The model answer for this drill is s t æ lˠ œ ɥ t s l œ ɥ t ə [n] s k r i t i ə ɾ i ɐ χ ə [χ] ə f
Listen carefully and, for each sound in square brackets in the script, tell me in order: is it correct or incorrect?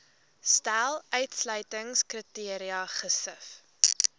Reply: incorrect: ŋ, incorrect: s

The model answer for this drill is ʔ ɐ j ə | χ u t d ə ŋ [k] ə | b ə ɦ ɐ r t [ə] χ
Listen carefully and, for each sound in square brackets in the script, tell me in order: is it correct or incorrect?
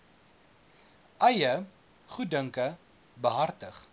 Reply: correct, correct

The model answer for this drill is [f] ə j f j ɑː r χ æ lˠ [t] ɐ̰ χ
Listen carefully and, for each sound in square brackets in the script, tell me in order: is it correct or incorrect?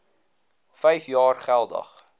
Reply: correct, incorrect: d

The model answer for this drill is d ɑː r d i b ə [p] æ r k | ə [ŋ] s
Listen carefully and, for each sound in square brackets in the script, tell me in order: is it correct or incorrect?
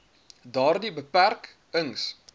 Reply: correct, correct

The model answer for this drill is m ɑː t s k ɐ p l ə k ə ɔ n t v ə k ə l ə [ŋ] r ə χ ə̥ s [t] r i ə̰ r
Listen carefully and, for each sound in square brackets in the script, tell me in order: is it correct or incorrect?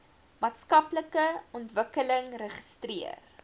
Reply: correct, correct

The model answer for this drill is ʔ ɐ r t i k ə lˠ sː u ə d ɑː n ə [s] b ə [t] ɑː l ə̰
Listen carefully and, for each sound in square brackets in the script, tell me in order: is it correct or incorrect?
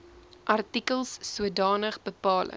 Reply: incorrect: χ, incorrect: p

